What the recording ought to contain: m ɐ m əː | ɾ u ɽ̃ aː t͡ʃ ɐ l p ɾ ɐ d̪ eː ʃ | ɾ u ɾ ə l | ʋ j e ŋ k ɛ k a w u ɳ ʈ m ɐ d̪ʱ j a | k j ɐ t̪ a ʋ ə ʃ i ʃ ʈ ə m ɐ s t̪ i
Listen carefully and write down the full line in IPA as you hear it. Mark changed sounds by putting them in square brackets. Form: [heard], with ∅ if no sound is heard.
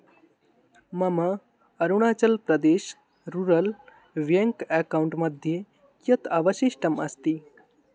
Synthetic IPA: m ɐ m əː | ɾ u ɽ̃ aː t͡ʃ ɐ l p ɾ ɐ d̪ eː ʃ | ɾ u ɾ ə l | ʋ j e ŋ k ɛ k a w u ɳ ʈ m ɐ d̪ʱ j [e] | k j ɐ t̪ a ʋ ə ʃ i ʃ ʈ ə m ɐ s t̪ i